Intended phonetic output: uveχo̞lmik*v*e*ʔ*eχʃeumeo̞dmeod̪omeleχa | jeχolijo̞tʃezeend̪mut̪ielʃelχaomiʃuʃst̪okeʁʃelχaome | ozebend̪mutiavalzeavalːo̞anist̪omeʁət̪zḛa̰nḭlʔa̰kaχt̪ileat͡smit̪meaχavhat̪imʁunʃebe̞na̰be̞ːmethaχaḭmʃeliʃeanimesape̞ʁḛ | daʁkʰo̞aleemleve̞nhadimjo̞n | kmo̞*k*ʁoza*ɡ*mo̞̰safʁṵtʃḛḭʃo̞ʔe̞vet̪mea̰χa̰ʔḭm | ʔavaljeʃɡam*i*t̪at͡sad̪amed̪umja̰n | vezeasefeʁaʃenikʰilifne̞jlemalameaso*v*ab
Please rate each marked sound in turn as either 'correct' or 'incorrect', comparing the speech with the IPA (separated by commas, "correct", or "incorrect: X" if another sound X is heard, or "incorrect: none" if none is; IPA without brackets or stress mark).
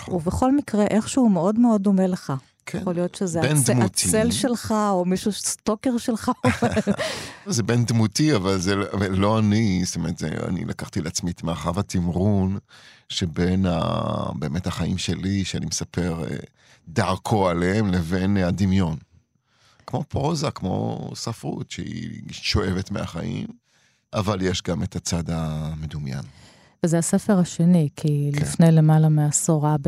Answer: incorrect: ʁ, correct, incorrect: p, incorrect: k, incorrect: e, incorrect: ʁ